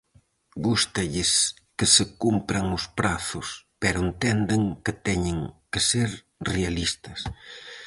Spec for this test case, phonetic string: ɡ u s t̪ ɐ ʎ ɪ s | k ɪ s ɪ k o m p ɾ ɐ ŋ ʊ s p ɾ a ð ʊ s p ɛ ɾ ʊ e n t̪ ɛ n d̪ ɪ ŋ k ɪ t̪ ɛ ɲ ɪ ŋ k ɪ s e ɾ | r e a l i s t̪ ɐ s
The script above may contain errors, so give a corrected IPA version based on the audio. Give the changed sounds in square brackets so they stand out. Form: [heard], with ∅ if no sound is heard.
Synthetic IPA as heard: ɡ u s t̪ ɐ ʎ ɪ s | k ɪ s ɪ k [u] m p ɾ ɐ ŋ ʊ s p ɾ a [θ] ʊ s p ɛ ɾ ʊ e n t̪ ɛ n d̪ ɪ ŋ k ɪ t̪ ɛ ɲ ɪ ŋ k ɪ s e ɾ | r e a l i s t̪ ɐ s